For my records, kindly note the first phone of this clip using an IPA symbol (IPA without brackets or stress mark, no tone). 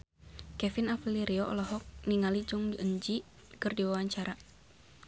k